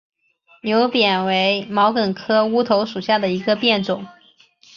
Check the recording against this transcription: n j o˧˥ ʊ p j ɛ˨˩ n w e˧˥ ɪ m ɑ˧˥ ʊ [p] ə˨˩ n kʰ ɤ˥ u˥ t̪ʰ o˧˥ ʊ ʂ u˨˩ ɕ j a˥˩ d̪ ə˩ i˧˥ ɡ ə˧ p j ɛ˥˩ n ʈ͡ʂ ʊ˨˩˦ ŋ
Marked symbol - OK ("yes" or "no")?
no